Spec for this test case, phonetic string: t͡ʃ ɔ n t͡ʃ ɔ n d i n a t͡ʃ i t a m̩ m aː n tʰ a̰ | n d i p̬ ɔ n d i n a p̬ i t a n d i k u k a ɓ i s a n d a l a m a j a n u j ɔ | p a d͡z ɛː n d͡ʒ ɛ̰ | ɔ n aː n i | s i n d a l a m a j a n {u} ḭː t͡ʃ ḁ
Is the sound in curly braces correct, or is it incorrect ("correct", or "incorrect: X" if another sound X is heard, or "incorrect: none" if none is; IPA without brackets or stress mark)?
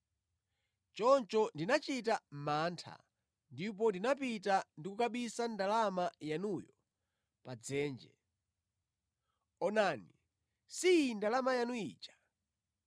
correct